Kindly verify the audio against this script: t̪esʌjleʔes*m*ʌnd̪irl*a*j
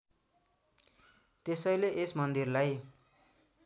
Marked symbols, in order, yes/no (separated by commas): yes, yes